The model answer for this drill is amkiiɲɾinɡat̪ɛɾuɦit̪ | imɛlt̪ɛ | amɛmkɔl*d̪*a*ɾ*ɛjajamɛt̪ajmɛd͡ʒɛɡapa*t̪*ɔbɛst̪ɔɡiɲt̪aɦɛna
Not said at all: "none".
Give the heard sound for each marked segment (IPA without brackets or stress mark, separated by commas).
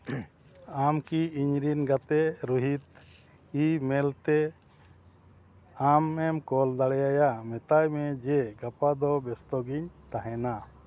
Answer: d̪, ɽ, d̪